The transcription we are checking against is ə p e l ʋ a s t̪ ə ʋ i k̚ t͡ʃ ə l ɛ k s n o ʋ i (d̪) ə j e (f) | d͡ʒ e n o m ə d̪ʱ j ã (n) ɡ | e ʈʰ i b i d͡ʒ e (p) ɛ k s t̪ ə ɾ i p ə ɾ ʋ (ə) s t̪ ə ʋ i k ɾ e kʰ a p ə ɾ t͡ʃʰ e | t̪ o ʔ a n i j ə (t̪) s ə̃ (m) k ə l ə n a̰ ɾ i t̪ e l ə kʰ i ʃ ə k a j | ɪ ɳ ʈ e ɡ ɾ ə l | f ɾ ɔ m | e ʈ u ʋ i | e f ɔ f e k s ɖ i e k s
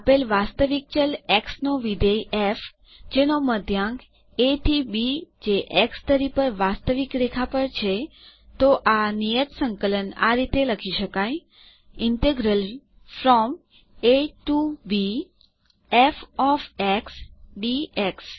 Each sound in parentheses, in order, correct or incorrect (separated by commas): correct, correct, incorrect, incorrect, incorrect, correct, incorrect